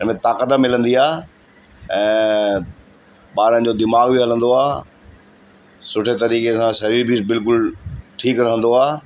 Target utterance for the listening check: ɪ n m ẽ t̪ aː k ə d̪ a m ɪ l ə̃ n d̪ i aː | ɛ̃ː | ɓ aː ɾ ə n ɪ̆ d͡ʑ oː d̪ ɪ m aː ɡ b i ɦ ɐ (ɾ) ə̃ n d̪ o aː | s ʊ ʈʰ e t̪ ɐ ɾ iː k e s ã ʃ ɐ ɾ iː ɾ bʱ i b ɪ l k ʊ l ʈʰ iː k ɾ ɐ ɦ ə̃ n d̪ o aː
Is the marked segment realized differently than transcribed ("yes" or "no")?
yes